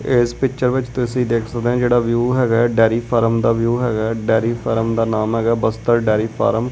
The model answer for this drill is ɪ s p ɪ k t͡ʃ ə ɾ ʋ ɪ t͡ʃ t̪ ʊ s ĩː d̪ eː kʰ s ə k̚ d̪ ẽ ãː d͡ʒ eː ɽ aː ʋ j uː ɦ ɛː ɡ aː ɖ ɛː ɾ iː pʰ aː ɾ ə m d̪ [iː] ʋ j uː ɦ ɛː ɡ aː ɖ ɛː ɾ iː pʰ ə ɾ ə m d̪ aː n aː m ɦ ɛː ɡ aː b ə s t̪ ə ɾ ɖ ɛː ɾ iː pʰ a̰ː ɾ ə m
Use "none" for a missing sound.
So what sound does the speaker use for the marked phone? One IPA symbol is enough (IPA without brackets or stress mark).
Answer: aː